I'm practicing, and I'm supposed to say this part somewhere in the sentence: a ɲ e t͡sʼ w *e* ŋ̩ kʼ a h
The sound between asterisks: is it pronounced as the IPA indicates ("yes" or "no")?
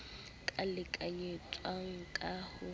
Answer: no